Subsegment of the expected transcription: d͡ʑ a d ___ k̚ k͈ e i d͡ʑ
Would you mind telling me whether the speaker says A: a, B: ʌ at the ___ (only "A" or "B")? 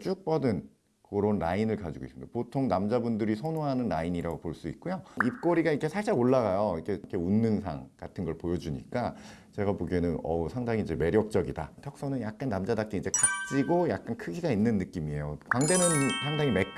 A